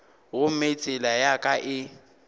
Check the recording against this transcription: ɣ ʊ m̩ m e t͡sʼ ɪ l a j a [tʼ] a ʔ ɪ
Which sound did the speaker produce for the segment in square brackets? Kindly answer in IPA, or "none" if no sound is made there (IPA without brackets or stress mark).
kʼ